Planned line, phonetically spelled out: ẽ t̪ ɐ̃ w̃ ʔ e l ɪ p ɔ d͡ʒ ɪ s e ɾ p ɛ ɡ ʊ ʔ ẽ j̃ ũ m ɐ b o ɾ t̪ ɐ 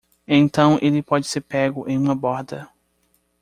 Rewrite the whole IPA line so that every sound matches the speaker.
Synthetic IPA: ẽ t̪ ɐ̃ w̃ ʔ e l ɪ p ɔ d͡ʒ ɪ s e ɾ p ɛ ɡ ʊ ʔ ẽ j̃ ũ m ɐ b ɔ ɾ d̪ ɐ